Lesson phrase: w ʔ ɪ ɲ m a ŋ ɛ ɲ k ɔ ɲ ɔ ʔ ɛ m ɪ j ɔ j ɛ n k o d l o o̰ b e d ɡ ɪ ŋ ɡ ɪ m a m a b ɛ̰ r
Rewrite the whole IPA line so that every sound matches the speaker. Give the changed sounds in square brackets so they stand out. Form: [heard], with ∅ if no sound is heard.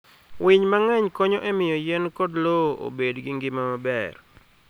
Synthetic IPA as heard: w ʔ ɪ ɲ m a ŋ ɛ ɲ k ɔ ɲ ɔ ʔ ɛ m ɪ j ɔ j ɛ n k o d l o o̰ b e d ɡ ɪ ŋ ɡ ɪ m a m a b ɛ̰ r